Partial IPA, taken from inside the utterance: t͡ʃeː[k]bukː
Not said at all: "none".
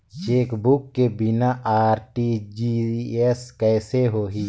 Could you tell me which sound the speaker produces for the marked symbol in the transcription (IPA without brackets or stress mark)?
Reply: k